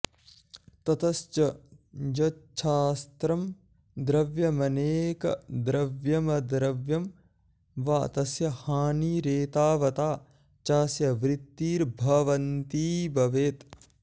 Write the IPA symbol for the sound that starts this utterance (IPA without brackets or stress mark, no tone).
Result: t̪